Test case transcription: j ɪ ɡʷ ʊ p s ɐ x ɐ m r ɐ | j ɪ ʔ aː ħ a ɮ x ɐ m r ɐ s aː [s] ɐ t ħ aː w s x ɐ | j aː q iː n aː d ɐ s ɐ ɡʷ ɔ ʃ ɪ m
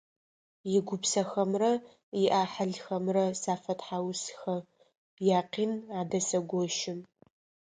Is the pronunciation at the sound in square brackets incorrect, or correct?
incorrect